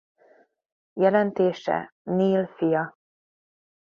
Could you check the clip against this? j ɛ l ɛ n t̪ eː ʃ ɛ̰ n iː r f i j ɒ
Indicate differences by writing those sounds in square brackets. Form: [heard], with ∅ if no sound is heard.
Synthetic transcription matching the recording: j ɛ l ɛ n t̪ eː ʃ ɛ̰ n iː [l] f i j ɒ